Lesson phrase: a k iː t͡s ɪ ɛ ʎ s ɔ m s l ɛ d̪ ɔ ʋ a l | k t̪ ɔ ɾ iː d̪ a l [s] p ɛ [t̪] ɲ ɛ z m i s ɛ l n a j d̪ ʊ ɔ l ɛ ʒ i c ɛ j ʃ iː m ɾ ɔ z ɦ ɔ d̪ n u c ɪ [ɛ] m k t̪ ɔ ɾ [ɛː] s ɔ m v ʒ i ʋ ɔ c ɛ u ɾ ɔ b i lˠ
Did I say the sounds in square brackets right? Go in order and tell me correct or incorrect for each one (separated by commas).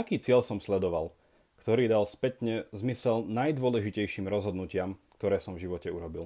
correct, correct, incorrect, correct